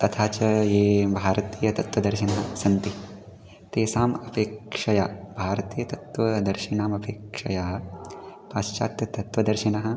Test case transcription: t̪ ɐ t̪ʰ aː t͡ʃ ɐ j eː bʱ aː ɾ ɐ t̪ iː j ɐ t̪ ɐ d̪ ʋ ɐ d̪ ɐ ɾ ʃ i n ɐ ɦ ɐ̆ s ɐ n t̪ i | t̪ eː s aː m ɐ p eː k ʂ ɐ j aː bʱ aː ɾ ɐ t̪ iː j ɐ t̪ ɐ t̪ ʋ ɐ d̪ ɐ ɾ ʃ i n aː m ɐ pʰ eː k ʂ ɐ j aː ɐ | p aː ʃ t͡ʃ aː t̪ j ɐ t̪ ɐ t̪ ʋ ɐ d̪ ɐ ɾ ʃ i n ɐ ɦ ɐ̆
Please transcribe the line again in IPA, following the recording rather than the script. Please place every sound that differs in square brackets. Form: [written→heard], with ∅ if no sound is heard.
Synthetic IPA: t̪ ɐ t̪ʰ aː t͡ʃ ɐ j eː bʱ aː ɾ ɐ t̪ iː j ɐ t̪ ɐ [d̪→t̪] ʋ ɐ d̪ ɐ ɾ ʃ i n ɐ ɦ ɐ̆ s ɐ n t̪ i | t̪ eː s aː m ɐ p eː k ʂ ɐ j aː bʱ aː ɾ ɐ t̪ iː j ɐ t̪ ɐ t̪ ʋ ɐ d̪ ɐ ɾ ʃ i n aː m ɐ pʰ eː k ʂ ɐ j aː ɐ | p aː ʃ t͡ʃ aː t̪ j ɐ t̪ ɐ t̪ ʋ ɐ d̪ ɐ ɾ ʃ i n ɐ ɦ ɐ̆